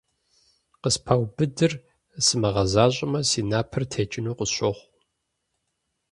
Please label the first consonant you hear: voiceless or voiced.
voiceless